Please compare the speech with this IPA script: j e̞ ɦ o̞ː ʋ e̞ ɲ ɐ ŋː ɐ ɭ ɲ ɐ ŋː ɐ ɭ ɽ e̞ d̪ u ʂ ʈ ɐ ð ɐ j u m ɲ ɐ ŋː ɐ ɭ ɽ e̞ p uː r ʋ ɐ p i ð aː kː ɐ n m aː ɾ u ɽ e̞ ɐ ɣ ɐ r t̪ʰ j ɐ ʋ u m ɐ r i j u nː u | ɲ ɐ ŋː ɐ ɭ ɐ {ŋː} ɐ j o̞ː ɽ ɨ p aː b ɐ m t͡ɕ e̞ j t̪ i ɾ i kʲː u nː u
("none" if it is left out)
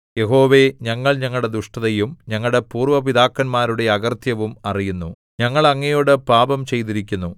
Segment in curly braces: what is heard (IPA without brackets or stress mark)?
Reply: ŋː